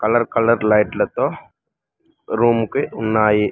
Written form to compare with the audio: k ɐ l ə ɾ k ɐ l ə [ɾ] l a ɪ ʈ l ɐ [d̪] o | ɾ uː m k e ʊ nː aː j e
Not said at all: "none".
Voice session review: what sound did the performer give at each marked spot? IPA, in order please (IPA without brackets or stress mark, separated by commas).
ɾ, t̪